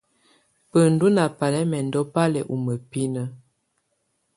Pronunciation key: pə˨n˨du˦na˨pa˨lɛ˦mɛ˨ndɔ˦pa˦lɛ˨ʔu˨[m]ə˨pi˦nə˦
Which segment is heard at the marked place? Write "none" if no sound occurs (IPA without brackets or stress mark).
m